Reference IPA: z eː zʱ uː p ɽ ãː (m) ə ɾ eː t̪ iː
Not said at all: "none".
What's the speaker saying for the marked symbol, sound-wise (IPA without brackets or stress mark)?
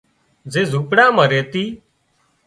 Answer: m